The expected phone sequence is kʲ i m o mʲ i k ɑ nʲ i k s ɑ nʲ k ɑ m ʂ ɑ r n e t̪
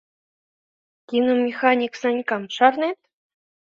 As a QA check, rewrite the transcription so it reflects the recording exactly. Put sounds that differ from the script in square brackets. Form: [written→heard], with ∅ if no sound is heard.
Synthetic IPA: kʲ i [m→n] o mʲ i [k→x] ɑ nʲ i k s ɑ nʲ k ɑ m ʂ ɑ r n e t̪